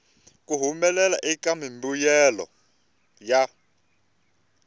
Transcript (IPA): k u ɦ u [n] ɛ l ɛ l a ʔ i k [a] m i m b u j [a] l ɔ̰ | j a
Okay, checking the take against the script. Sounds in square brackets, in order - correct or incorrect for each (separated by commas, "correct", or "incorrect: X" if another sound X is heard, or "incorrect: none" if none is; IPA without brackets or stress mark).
incorrect: m, correct, incorrect: ɛ